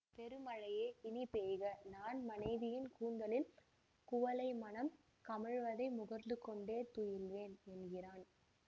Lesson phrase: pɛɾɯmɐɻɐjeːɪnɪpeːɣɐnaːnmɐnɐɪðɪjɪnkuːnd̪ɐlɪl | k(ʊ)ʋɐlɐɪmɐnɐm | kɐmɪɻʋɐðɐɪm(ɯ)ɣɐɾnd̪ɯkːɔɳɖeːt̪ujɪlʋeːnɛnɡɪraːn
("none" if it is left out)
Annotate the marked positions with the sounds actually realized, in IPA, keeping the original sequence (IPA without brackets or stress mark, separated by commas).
ʊ, ʊ